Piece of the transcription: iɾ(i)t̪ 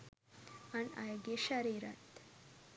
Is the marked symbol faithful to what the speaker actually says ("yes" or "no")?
no